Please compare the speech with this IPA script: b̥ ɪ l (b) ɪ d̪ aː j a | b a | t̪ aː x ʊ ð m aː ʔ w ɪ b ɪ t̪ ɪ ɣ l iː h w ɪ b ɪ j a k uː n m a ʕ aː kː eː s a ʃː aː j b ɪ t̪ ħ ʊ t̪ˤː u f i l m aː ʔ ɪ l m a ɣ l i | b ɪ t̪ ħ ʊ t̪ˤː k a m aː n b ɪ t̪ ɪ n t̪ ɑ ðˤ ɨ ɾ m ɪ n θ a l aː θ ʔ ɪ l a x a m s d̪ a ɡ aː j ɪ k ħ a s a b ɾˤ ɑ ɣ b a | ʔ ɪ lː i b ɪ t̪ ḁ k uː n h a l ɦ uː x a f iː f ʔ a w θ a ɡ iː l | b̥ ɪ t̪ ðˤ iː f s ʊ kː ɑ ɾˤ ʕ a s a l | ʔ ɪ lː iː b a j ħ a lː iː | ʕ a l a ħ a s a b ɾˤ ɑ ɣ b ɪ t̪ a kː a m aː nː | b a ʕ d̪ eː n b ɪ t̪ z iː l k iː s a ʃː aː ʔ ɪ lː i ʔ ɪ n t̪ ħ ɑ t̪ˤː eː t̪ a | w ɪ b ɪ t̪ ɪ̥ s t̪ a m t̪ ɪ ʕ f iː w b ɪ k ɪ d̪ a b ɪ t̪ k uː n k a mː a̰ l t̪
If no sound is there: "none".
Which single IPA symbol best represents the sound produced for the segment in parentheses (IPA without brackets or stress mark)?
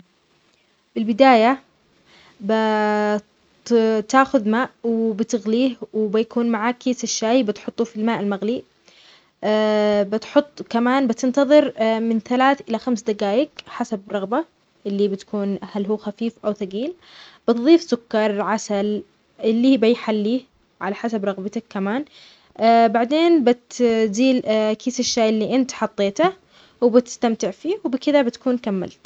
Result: b